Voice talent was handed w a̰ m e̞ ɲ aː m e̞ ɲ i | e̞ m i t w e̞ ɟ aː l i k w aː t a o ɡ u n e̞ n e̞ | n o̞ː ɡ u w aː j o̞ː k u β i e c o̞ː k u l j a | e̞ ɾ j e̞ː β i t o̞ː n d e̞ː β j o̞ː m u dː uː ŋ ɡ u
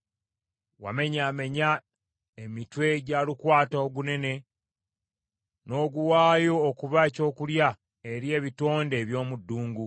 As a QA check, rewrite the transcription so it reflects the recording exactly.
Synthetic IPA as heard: w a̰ m e̞ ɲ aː m e̞ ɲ a | e̞ m i t w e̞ ɟ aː l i k w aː t a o ɡ u n e̞ n e̞ | n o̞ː ɡ u w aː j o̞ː k u β a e c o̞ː k u l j a | e̞ ɾ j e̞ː β i t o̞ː n d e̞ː β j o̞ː m u dː uː ŋ ɡ u